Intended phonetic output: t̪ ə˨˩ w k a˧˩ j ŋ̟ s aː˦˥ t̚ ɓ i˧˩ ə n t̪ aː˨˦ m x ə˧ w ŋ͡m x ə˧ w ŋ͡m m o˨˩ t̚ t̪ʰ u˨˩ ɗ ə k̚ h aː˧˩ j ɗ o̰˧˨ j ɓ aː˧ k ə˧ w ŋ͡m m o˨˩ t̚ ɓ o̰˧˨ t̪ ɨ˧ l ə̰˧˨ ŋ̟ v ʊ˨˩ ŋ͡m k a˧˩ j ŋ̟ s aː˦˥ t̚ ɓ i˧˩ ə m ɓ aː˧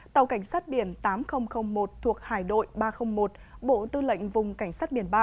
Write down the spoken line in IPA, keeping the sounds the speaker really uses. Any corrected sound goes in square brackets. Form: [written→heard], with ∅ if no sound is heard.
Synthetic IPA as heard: t̪ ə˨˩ w k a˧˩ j ŋ̟ s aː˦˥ t̚ ɓ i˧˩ ə n t̪ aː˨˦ m x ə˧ w ŋ͡m x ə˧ w ŋ͡m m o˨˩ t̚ t̪ʰ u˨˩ [ɗ→∅] ə k̚ h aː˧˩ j ɗ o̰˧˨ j ɓ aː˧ [k→x] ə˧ w ŋ͡m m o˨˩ t̚ ɓ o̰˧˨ t̪ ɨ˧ l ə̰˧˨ ŋ̟ v ʊ˨˩ ŋ͡m k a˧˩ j ŋ̟ s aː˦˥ t̚ ɓ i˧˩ ə [m→n] ɓ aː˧